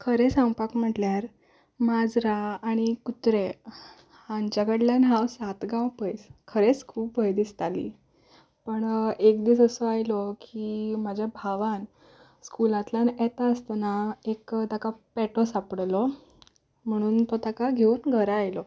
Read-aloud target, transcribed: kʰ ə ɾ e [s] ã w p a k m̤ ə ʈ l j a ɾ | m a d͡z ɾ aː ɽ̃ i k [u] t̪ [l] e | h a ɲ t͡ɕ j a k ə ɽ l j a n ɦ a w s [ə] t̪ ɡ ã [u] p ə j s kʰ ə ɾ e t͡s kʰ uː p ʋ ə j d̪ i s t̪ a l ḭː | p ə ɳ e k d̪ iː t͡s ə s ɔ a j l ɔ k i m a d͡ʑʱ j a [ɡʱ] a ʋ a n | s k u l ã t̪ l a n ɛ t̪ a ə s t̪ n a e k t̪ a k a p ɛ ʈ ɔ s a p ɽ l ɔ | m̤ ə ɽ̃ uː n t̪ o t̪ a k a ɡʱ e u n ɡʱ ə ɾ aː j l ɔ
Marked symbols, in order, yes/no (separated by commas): yes, yes, no, no, no, no